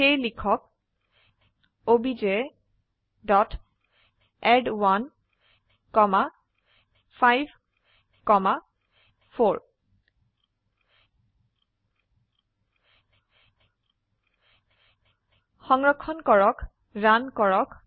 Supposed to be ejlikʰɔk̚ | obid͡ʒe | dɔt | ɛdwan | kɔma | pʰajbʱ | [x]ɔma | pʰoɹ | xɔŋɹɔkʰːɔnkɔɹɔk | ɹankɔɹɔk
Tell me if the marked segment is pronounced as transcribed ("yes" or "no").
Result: no